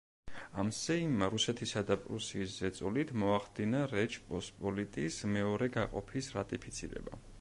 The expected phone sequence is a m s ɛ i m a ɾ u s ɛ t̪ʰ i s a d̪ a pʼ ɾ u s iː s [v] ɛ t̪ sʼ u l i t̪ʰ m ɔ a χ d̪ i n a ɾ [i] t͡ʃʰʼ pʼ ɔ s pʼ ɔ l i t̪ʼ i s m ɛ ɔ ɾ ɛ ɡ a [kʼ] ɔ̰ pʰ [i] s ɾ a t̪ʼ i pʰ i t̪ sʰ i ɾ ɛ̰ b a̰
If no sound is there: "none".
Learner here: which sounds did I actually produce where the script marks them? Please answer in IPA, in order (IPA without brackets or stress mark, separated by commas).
z, ɛ, qʼ, i